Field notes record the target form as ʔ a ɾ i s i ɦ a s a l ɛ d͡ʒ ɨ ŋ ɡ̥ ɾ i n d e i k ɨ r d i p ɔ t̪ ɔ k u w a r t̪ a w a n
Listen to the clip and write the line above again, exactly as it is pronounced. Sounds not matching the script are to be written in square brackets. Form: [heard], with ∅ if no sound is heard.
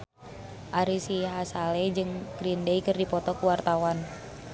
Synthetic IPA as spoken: ʔ a ɾ i s i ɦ a s a l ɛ d͡ʒ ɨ ŋ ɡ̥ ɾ i n d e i k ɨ r d i p ɔ t̪ ɔ k u w a r t̪ a w a n